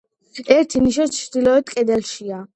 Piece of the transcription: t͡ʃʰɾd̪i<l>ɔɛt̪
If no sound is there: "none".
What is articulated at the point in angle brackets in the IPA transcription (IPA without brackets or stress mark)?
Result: l